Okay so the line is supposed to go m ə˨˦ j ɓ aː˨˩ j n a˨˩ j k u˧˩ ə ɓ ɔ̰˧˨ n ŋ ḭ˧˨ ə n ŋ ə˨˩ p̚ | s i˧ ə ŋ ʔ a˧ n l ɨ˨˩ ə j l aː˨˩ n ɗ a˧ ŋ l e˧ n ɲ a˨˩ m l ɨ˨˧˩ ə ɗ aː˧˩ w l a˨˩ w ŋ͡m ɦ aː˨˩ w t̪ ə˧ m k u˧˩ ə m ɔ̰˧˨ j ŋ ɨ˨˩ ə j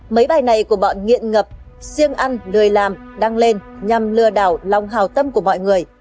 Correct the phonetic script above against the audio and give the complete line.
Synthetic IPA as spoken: m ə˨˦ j ɓ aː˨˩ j n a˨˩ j k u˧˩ ə ɓ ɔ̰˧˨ n ŋ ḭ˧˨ ə n ŋ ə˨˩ p̚ | s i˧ ə ŋ ʔ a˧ n l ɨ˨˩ ə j l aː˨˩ m ɗ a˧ ŋ l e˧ n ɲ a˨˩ m l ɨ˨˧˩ ə ɗ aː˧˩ w l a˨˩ w ŋ͡m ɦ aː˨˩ w t̪ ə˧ m k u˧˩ ə m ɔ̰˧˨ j ŋ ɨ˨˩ ə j